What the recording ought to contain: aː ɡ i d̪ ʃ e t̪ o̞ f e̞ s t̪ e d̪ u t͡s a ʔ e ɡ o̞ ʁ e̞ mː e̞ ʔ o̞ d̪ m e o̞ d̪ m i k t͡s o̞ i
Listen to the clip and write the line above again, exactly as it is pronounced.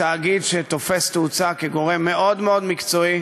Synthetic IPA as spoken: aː ɡ i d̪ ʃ e t̪ o̞ f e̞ s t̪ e u t͡s a k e ɡ o̞ ʁ e̞ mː e̞ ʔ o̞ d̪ m e o̞ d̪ m i k t͡s o̞ i